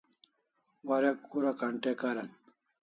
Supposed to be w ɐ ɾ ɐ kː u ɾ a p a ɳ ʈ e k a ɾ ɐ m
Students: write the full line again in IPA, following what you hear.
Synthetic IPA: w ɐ ɾ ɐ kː u ɾ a k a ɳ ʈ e k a ɾ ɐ n